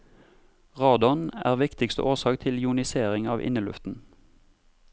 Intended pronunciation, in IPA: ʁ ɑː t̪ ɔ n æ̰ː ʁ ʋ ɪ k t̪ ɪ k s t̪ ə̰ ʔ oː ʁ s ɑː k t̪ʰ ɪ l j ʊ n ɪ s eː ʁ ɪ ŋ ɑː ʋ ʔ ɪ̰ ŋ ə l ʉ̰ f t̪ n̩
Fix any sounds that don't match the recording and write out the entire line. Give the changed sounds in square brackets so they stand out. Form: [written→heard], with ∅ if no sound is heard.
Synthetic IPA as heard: ʁ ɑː [t̪→d̪] ɔ n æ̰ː ʁ ʋ ɪ k t̪ ɪ k s t̪ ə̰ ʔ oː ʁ s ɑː k t̪ʰ ɪ l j ʊ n ɪ s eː ʁ ɪ ŋ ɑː ʋ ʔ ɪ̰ [ŋ→n] ə l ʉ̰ f t̪ n̩

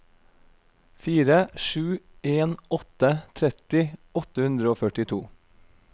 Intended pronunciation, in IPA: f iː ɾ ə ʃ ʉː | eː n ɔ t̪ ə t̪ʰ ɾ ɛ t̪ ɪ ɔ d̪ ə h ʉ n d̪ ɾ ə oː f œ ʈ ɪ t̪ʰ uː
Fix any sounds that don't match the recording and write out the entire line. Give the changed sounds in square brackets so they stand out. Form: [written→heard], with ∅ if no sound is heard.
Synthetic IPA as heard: f iː ɾ ə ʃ ʉː | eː n ɔ t̪ ə t̪ʰ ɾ ɛ t̪ ɪ ɔ [d̪→t̪] ə h ʉ n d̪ ɾ ə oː f œ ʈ ɪ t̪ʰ uː

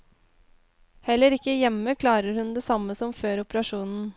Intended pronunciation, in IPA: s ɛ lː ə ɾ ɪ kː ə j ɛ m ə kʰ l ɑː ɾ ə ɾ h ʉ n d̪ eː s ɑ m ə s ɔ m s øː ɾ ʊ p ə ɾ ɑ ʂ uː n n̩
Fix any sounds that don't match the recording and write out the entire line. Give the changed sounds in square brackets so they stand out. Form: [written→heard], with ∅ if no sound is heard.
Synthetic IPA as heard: [s→h] ɛ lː ə ɾ ɪ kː ə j ɛ m ə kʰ l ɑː ɾ ə ɾ h ʉ n d̪ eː s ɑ m ə s ɔ m [s→f] øː ɾ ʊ p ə ɾ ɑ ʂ uː n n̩

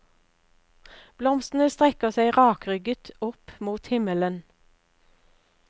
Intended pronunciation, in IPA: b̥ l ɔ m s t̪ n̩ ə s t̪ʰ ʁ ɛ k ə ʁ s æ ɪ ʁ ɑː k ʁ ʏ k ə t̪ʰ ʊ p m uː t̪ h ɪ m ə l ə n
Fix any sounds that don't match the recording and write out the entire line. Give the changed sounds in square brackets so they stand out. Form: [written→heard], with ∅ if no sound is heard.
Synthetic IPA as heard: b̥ l ɔ m s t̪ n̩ ə s [t̪ʰ→t̪] ʁ ɛ k ə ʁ s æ ɪ ʁ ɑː k ʁ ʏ [k→ɡ] ə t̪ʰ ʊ p m uː t̪ h ɪ m ə l ə n

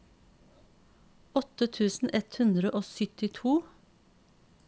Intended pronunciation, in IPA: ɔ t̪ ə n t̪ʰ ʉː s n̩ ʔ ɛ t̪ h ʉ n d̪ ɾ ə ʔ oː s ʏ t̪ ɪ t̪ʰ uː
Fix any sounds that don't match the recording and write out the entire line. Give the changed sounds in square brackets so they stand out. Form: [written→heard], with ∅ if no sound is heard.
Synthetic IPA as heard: ɔ t̪ ə [n→∅] t̪ʰ ʉː s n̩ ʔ ɛ t̪ h ʉ n d̪ ɾ ə ʔ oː s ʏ t̪ ɪ t̪ʰ uː

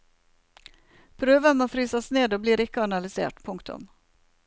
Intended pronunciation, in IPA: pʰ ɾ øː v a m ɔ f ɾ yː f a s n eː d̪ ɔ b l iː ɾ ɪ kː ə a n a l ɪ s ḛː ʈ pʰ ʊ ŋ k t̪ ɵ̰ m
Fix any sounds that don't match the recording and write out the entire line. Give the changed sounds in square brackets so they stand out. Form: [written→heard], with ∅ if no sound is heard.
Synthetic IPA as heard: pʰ ɾ øː v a m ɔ f ɾ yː [f→s] a s n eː d̪ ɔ b l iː ɾ ɪ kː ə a n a l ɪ s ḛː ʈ pʰ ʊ ŋ k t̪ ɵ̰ m

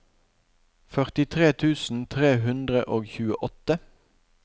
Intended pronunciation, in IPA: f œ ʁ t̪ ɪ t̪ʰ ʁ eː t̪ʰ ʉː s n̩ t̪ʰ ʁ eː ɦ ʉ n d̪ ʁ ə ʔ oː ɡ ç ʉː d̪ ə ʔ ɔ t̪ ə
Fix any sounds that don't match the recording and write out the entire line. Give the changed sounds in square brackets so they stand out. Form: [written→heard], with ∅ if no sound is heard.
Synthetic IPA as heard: f œ ʁ t̪ ɪ t̪ʰ ʁ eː t̪ʰ ʉː s n̩ t̪ʰ ʁ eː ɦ ʉ n d̪ ʁ ə ʔ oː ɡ ç ʉː [d̪→∅] ə ʔ ɔ t̪ ə

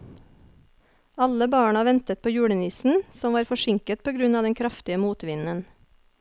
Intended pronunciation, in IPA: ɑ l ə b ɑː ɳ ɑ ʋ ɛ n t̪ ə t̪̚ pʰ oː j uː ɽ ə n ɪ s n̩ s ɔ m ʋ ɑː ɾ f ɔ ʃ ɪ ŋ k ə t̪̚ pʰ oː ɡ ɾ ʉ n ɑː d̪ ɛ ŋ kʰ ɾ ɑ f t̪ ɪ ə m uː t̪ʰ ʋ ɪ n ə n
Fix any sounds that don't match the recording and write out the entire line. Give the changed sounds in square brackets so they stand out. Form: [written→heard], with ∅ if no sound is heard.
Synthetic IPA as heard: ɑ l ə b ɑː ɳ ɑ ʋ ɛ n t̪ ə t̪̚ pʰ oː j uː ɽ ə n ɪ s n̩ s ɔ m ʋ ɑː ɾ f ɔ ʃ ɪ ŋ k ə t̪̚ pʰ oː ɡ ɾ ʉ n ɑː d̪ ɛ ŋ kʰ ɾ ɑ f t̪ ɪ ə m uː [t̪ʰ→t̪] ʋ ɪ n ə n

